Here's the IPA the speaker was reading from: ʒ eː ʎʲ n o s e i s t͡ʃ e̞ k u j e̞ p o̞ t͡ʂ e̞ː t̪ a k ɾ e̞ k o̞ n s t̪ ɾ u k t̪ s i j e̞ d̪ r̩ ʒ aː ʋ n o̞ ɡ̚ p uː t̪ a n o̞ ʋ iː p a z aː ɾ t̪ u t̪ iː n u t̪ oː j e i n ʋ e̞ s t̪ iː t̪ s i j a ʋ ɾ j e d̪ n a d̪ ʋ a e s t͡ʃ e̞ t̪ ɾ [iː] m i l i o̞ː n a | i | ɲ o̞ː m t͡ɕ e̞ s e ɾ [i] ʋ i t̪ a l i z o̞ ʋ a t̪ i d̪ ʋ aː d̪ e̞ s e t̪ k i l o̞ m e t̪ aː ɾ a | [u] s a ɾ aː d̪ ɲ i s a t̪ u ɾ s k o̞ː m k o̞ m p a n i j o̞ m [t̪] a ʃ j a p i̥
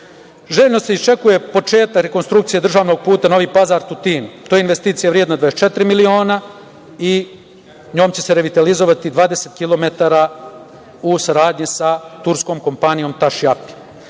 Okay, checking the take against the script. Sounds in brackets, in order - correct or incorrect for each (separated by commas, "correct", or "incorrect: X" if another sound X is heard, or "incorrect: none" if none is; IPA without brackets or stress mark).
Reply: incorrect: i, incorrect: e, correct, correct